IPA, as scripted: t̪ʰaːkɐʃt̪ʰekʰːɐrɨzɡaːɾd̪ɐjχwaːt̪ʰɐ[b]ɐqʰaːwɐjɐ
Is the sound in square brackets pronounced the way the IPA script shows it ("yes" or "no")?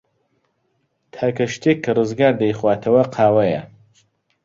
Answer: no